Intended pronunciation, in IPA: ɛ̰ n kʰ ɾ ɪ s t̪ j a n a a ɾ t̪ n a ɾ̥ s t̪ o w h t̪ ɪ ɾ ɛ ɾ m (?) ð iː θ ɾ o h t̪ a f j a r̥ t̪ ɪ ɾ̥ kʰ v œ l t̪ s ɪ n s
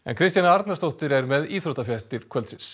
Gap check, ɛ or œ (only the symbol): ɛ